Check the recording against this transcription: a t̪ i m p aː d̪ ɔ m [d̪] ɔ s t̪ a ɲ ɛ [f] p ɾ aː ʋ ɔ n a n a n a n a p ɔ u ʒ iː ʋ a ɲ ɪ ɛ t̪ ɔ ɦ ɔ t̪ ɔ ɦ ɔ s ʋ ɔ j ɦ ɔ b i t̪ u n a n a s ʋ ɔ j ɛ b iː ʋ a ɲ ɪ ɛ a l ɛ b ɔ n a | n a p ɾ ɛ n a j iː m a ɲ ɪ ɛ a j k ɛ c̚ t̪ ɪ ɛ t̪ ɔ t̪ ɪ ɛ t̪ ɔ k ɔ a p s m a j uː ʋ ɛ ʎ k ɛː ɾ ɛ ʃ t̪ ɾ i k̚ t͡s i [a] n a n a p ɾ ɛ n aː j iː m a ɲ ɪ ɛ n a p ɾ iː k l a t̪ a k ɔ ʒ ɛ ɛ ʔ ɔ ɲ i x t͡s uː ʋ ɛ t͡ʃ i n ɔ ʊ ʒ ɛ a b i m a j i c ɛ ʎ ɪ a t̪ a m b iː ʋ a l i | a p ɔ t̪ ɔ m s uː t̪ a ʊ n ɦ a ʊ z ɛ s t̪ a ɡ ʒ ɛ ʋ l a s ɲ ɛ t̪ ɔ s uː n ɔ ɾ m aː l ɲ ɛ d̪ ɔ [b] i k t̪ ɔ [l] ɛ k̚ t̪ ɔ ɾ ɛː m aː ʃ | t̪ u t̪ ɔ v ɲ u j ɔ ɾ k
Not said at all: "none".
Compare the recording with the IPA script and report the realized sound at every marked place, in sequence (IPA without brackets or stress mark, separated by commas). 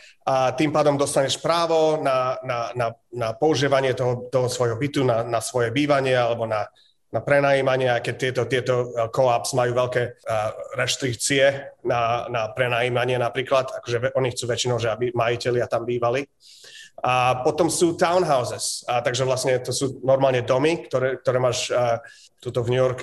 d̪, ʃ, ɛ, m, ɾ